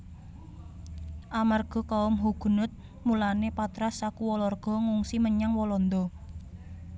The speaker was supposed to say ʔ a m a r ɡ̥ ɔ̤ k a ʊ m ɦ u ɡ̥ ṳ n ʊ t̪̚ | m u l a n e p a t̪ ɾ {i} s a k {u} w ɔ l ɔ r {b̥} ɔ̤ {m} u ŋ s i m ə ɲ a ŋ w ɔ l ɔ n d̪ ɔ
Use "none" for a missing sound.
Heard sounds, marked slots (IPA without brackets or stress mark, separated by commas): a, u, ɡ̥, ŋ